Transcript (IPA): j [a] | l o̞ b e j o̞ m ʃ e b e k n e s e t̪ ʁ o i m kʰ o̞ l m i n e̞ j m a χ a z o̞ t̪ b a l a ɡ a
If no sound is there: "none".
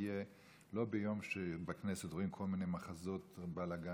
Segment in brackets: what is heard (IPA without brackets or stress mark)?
e